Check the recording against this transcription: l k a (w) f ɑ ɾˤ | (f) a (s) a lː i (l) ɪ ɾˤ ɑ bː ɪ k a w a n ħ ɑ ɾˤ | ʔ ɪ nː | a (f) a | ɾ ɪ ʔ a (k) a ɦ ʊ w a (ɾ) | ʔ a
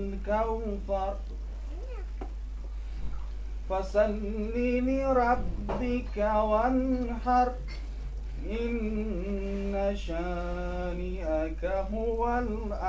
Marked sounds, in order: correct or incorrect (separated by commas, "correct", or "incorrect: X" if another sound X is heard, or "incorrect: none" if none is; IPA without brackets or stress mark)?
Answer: correct, correct, correct, correct, incorrect: ʃ, correct, incorrect: l